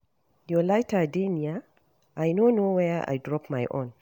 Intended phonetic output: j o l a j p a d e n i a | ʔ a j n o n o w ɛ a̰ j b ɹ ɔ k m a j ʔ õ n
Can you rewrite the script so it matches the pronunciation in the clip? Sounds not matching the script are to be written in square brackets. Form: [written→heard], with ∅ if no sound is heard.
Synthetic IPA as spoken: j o l a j [p→t] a d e n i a | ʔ a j n o n o w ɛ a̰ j [b→d] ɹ ɔ [k→p] m a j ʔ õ n

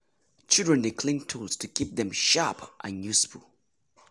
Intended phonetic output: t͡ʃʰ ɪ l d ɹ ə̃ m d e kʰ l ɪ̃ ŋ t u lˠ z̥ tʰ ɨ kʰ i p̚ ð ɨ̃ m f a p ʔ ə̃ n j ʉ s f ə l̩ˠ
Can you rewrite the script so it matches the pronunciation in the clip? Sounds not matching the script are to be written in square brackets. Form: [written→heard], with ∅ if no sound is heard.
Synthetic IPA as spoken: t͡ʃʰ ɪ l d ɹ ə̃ [m→n] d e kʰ l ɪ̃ ŋ [t→tʰ] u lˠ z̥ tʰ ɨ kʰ i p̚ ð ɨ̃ m [f→ʃ] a p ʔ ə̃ n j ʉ s f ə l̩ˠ

